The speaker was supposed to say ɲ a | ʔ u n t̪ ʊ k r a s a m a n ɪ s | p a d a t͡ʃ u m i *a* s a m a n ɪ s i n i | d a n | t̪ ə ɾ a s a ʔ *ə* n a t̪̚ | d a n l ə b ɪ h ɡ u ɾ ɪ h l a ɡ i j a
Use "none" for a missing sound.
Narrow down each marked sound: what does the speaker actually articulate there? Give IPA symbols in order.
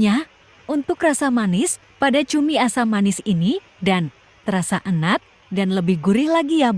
a, ə

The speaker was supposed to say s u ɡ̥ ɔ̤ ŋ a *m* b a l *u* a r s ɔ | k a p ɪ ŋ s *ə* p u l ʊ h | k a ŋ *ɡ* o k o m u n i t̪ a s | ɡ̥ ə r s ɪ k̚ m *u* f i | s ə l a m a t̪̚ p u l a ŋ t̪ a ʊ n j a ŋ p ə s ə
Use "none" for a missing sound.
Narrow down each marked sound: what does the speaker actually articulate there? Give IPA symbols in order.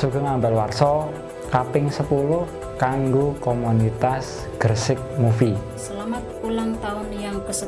m, w, ə, ɡ, u

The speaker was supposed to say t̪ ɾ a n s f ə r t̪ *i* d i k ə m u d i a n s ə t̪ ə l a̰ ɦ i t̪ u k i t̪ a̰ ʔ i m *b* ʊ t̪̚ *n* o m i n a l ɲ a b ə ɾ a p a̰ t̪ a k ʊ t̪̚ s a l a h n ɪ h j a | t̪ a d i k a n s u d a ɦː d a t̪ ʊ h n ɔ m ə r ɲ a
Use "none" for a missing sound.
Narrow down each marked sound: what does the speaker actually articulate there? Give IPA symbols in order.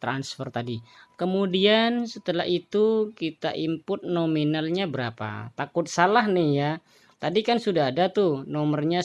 a, p, n

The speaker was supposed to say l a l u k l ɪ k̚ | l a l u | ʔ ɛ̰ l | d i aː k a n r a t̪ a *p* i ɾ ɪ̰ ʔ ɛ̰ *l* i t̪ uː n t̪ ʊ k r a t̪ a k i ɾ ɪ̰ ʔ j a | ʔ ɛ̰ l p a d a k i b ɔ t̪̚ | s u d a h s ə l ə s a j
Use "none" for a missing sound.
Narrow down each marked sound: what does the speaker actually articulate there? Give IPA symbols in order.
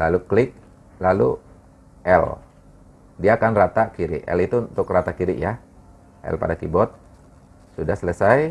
k, l

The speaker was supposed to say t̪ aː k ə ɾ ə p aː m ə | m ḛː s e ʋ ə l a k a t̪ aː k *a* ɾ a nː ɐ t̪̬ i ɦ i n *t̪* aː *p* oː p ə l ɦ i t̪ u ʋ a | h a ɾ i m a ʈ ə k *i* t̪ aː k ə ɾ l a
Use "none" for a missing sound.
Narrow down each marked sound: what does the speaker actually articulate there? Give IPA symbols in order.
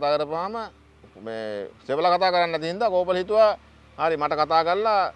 ə, d̪, k, a

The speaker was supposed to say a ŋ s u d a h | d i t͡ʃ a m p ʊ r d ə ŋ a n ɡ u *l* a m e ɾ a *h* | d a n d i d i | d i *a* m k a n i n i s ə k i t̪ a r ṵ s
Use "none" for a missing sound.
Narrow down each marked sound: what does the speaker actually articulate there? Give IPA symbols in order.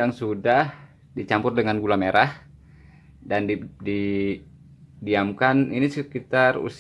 l, h, a

